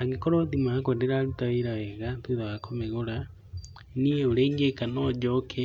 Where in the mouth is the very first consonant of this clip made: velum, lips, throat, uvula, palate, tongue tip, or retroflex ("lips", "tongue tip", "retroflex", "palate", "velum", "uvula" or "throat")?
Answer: velum